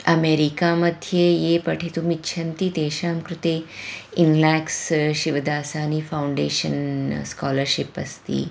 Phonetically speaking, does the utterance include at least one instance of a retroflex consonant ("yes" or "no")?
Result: yes